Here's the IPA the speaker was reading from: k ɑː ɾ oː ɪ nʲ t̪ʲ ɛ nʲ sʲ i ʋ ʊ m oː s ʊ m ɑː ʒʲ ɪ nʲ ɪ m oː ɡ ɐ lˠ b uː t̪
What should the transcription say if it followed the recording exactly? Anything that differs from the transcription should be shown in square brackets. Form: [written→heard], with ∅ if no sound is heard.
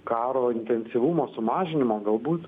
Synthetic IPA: k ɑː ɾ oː ɪ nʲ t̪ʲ ɛ nʲ sʲ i ʋ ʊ m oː s ʊ m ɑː ʒʲ ɪ nʲ ɪ m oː ɡ ɐ lˠ b uː t̪

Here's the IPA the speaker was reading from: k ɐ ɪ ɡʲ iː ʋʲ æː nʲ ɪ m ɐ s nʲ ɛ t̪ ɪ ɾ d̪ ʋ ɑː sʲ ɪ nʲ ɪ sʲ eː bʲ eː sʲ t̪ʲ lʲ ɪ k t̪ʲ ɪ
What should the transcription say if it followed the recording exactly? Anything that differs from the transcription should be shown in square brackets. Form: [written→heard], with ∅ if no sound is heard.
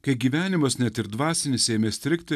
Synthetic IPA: k ɐ ɪ ɡʲ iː ʋʲ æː nʲ ɪ m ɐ s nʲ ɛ t̪ ɪ ɾ d̪ ʋ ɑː sʲ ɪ nʲ ɪ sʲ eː [bʲ→mʲ] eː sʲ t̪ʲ [lʲ→ɾʲ] ɪ k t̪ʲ ɪ

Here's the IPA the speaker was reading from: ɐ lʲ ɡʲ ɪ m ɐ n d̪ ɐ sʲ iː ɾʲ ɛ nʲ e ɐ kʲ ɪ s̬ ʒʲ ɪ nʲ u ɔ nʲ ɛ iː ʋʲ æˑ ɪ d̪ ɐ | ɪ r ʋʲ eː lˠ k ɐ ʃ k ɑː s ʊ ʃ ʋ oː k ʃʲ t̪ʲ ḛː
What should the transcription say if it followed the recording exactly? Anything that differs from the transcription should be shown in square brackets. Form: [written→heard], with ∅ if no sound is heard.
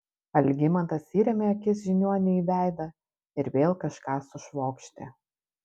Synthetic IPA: ɐ lʲ ɡʲ ɪ m ɐ n [d̪→t̪] ɐ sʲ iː ɾʲ ɛ [nʲ→mʲ] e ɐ kʲ ɪ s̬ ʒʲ ɪ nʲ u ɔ nʲ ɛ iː ʋʲ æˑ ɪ d̪ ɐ | ɪ [r→ɾ] ʋʲ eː lˠ k ɐ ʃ k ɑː s ʊ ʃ ʋ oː k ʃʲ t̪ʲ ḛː

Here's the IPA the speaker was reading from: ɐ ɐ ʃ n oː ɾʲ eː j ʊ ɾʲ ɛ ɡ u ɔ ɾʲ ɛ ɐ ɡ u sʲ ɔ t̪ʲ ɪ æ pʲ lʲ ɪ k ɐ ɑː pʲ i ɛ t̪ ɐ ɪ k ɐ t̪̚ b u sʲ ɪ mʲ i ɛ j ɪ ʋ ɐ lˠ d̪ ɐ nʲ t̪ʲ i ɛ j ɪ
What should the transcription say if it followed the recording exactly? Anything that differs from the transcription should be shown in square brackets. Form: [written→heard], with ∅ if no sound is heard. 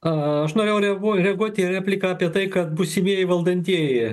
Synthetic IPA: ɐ ɐ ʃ n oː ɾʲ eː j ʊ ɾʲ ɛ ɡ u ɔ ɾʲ ɛ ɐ ɡ u [sʲ→∅] ɔ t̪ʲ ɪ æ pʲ lʲ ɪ k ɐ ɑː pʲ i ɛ t̪ ɐ ɪ k ɐ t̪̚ b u sʲ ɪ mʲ i ɛ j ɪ ʋ ɐ lˠ d̪ ɐ nʲ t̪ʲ i ɛ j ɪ

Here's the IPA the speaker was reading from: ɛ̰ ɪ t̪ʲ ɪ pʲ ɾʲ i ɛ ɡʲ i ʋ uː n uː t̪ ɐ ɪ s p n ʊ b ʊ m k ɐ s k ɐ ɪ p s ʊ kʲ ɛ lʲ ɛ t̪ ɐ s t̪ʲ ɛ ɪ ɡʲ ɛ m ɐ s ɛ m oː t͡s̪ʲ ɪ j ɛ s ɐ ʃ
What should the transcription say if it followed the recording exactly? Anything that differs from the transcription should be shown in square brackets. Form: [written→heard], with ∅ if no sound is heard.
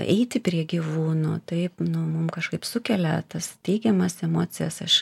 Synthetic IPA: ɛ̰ ɪ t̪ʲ ɪ pʲ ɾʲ i ɛ ɡʲ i ʋ uː n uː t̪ ɐ ɪ [s→∅] p n ʊ [b→m] ʊ m k ɐ [s→ʃ] k ɐ ɪ p s ʊ kʲ ɛ lʲ ɛ t̪ ɐ s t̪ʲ ɛ ɪ ɡʲ ɛ m ɐ s ɛ m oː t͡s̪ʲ ɪ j ɛ s ɐ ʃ

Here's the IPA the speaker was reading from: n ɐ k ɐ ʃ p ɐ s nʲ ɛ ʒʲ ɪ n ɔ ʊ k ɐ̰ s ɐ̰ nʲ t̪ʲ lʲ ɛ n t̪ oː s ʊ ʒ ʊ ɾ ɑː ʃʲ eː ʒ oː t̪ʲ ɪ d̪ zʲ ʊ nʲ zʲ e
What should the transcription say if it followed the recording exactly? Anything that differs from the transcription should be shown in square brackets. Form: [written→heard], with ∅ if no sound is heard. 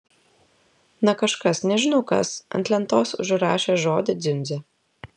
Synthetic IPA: n ɐ k ɐ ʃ [p→k] ɐ s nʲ ɛ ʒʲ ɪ n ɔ ʊ k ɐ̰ s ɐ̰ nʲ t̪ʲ lʲ ɛ n t̪ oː s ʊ ʒ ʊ ɾ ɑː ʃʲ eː ʒ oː [t̪ʲ→d̪ʲ] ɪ d̪ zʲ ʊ nʲ zʲ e

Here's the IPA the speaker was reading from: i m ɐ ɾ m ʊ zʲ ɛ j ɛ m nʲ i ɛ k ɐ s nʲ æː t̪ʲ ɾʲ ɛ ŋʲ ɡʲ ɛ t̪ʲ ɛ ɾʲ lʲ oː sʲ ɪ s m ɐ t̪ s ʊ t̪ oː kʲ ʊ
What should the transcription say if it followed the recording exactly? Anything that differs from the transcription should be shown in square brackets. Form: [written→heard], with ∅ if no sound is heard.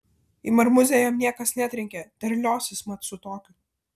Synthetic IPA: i m ɐ ɾ m ʊ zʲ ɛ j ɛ m nʲ i ɛ k ɐ s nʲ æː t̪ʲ ɾʲ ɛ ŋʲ [ɡʲ→kʲ] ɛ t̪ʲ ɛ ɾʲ lʲ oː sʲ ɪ s m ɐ t̪ s ʊ t̪ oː kʲ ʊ

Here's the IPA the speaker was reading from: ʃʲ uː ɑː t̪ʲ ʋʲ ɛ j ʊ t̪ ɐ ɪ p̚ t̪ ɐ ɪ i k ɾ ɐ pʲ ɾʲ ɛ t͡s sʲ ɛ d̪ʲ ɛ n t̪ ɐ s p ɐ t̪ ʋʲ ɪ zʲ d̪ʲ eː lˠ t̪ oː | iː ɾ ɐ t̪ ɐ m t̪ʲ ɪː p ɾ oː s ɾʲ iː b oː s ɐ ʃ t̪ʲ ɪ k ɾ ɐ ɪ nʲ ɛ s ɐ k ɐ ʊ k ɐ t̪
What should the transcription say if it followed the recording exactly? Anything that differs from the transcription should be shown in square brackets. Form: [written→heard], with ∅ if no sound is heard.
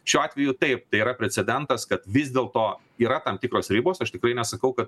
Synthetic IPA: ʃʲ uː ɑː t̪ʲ ʋʲ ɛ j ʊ t̪ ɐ ɪ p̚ t̪ ɐ ɪ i [k→∅] ɾ ɐ pʲ ɾʲ ɛ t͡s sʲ ɛ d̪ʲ ɛ n t̪ ɐ s [p→k] ɐ t̪ ʋʲ ɪ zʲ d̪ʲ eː lˠ t̪ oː | iː ɾ ɐ t̪ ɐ m t̪ʲ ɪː [p→k] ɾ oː s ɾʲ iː b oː s ɐ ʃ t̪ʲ ɪ k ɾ ɐ ɪ nʲ ɛ s ɐ k ɐ ʊ k ɐ t̪

